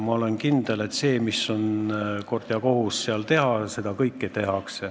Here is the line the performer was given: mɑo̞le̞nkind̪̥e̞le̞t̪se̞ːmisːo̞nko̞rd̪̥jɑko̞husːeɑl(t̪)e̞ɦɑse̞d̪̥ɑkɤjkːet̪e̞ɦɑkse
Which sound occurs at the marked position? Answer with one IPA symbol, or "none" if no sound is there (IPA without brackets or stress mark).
t̪